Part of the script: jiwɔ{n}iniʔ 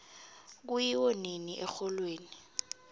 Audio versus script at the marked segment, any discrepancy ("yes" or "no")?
no